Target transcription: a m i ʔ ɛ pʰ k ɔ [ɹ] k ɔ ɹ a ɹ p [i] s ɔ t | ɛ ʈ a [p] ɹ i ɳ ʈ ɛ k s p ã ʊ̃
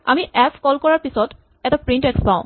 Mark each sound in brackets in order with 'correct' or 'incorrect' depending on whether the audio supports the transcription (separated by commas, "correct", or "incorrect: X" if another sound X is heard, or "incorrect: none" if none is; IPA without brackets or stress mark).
incorrect: l, correct, correct